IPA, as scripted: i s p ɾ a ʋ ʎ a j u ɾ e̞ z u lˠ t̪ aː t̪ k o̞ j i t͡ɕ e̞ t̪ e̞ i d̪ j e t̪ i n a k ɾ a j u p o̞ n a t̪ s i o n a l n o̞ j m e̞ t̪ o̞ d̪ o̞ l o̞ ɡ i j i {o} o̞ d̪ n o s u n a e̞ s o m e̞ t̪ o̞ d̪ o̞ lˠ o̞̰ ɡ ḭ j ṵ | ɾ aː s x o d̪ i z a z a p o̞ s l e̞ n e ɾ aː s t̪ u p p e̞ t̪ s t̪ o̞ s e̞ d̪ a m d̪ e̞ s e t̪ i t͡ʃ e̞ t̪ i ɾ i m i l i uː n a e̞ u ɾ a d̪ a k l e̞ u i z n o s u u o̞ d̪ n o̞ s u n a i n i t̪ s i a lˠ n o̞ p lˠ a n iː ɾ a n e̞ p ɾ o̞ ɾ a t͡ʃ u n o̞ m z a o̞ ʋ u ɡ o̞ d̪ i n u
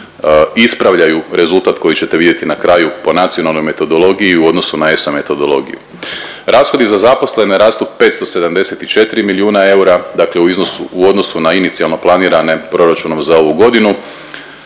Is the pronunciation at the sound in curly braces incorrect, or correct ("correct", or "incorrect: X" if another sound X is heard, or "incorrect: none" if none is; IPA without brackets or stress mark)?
incorrect: u